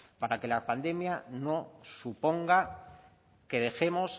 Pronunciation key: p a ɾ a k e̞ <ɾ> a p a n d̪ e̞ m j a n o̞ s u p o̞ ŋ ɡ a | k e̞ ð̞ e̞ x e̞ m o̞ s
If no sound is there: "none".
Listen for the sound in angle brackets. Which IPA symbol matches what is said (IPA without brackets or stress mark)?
l